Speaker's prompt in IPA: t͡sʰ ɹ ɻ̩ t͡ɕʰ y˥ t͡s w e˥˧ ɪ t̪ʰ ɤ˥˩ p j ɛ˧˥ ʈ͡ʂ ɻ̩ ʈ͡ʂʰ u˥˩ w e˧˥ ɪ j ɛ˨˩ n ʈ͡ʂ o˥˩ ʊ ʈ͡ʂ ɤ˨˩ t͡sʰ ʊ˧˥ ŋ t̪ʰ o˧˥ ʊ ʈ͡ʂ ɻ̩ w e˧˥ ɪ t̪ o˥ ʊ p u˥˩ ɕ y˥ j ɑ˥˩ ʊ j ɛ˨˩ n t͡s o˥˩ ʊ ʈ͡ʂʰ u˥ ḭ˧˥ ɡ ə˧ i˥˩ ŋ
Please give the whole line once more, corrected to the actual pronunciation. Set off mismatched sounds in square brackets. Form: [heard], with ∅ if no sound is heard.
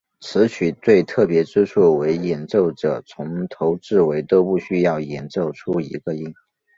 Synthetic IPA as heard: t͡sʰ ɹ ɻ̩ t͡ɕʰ [y˨˩] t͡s w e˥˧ ɪ t̪ʰ ɤ˥˩ p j ɛ˧˥ ʈ͡ʂ ɻ̩ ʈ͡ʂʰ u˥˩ w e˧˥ ɪ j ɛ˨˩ n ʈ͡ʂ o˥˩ ʊ ʈ͡ʂ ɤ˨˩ t͡sʰ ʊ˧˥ ŋ t̪ʰ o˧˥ ʊ ʈ͡ʂ ɻ̩ w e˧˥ ɪ t̪ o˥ ʊ p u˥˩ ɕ y˥ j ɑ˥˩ ʊ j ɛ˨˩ n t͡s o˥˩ ʊ ʈ͡ʂʰ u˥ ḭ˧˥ ɡ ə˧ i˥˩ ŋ

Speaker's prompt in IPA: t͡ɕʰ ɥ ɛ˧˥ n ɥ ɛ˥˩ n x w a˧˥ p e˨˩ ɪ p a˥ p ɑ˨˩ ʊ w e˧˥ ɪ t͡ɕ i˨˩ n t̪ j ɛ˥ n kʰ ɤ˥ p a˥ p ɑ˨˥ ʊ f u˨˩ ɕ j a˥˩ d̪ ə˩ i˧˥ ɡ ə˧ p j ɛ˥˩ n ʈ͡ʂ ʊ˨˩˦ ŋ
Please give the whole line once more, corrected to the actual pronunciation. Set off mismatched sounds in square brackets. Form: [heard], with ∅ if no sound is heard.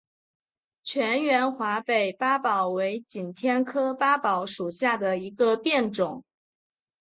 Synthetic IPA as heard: t͡ɕʰ ɥ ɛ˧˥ n ɥ [ɛ˧˥] n x w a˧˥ p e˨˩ ɪ p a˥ p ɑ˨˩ ʊ w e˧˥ ɪ t͡ɕ i˨˩ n [t̪ʰ] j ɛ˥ n kʰ ɤ˥ p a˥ p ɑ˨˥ ʊ [ʂ] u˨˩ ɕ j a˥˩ d̪ ə˩ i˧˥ ɡ ə˧ p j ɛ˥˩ n ʈ͡ʂ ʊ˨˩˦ ŋ

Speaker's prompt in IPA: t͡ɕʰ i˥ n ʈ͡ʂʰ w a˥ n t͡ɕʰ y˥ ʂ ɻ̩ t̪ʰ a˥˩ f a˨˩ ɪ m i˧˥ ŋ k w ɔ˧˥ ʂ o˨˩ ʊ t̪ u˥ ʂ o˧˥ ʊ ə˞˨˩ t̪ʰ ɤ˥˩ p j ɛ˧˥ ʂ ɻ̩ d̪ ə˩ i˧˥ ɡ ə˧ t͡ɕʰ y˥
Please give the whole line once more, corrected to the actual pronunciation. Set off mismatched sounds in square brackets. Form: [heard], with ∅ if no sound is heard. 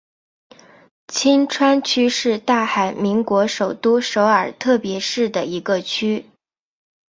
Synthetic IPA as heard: t͡ɕʰ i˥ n ʈ͡ʂʰ w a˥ n t͡ɕʰ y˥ ʂ ɻ̩ [t̪] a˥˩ [x] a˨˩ ɪ m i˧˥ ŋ k w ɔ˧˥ ʂ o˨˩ ʊ t̪ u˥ ʂ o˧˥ ʊ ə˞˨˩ t̪ʰ ɤ˥˩ p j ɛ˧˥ ʂ ɻ̩ d̪ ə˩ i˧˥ ɡ ə˧ t͡ɕʰ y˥

